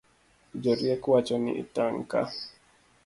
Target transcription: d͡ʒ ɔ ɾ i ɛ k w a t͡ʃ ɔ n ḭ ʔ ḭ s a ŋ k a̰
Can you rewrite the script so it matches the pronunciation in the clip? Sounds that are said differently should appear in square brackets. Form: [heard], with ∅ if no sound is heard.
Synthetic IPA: d͡ʒ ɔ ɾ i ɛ k w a t͡ʃ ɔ n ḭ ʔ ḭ [t] a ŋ k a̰

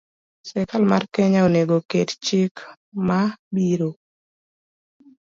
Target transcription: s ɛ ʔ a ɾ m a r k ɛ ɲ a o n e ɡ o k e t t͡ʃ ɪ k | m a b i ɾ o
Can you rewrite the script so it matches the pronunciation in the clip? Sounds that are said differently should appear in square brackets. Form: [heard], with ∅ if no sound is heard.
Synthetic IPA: s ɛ [k] a [l] m a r k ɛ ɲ a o n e ɡ o k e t t͡ʃ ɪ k | m a b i ɾ o

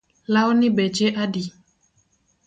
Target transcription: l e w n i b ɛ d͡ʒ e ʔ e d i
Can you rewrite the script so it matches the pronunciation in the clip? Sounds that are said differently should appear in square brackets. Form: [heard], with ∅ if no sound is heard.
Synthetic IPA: l [a] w n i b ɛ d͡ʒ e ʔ [a] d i

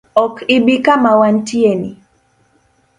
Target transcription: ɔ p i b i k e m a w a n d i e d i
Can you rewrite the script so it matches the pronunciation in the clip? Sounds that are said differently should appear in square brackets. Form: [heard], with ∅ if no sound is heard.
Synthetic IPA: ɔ [k] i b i k [a] m a w a n [t] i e [n] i

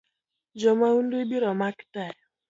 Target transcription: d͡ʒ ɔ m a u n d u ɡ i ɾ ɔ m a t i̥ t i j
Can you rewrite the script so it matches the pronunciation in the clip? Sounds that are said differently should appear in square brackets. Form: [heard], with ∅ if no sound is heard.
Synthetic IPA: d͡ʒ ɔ m a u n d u [b] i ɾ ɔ m a [k] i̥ t [a] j

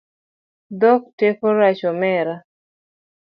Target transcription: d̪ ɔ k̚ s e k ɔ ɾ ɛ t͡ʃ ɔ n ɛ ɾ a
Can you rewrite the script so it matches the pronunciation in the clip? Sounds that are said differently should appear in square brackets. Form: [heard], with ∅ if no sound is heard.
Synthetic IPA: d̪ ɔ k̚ [t] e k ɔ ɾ [a] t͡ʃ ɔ [m] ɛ ɾ a

